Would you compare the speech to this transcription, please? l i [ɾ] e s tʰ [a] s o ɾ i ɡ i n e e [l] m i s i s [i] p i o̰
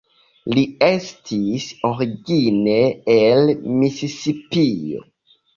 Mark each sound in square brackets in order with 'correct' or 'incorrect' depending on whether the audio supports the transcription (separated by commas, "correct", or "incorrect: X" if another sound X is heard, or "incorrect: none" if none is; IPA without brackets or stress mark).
incorrect: none, incorrect: i, correct, correct